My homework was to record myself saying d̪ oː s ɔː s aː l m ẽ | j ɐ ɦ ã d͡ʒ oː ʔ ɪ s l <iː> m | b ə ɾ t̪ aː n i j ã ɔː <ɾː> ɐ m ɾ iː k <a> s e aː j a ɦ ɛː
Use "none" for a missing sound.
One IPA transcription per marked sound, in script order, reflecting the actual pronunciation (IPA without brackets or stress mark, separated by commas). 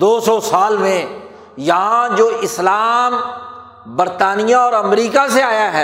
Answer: aː, ɾ, a